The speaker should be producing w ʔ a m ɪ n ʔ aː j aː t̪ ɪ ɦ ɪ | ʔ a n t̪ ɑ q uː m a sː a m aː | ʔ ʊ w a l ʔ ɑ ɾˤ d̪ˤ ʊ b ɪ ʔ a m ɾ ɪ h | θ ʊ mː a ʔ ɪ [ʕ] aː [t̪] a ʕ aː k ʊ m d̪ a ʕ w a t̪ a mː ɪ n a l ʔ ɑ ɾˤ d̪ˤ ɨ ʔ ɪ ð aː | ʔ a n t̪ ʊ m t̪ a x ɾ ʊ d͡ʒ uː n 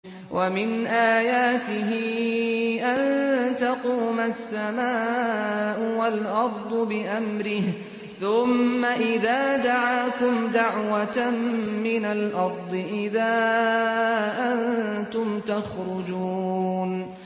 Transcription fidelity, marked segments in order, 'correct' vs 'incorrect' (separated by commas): incorrect, incorrect